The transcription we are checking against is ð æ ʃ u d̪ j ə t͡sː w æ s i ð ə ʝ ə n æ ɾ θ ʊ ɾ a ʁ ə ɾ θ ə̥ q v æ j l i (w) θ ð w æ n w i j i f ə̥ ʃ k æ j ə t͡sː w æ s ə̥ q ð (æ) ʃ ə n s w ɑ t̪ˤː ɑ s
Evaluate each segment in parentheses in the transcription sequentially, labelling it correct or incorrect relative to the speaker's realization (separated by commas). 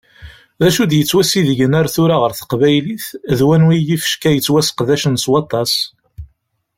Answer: incorrect, correct